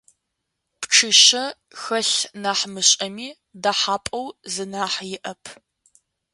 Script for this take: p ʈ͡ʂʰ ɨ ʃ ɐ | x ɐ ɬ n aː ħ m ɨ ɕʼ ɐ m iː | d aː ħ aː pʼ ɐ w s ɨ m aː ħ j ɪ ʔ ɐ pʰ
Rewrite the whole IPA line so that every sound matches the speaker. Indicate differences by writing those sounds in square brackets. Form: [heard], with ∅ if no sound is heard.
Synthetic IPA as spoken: p ʈ͡ʂʰ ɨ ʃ ɐ | x ɐ ɬ n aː ħ m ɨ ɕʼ ɐ m iː | d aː ħ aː pʼ ɐ w [z] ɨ [n] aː ħ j ɪ ʔ ɐ pʰ